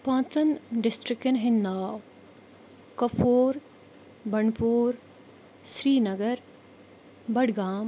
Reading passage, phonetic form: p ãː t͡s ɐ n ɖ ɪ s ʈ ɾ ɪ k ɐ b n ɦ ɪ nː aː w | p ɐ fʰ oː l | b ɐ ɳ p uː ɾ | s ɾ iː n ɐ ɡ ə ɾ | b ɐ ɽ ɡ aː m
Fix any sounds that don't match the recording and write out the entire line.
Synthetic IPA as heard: p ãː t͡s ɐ n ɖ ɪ s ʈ ɾ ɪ k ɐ n ɦ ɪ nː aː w | k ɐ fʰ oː ɾ | b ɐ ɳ p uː ɾ | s ɾ iː n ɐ ɡ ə ɾ | b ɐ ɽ ɡ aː m